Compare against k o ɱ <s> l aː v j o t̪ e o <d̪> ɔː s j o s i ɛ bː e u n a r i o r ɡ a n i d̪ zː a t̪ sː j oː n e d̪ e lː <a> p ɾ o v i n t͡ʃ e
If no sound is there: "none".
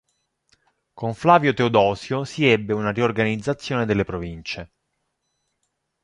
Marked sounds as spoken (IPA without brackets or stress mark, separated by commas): f, d̪, e